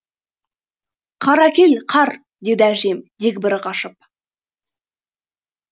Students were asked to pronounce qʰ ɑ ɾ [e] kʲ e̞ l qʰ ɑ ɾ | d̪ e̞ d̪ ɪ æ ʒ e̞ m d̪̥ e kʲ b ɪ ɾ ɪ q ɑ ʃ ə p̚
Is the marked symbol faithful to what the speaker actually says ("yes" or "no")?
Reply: no